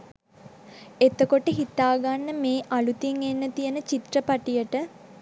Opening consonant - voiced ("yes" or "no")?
no